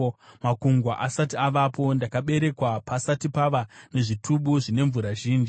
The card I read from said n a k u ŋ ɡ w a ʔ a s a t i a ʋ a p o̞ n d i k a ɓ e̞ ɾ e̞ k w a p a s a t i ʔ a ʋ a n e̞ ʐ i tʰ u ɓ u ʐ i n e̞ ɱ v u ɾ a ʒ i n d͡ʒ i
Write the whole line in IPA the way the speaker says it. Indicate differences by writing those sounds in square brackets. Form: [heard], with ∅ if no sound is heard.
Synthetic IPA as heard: [m] a k u ŋ ɡ w a ʔ a s a t i a ʋ a p o̞ n d [a] k a ɓ e̞ ɾ e̞ k w a p a s a t i [p] a ʋ a n e̞ ʐ i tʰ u ɓ u ʐ i n e̞ ɱ v u ɾ a ʒ [iː] n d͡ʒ i